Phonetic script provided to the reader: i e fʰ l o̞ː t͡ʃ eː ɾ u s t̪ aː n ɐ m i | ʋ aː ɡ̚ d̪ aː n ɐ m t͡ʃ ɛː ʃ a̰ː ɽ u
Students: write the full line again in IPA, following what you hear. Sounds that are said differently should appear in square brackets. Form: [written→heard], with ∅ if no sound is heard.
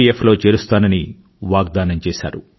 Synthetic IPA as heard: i e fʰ l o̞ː t͡ʃ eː ɾ u s t̪ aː n ɐ [m→n] i | ʋ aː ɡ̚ d̪ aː n ɐ m t͡ʃ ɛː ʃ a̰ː [ɽ→ɾ] u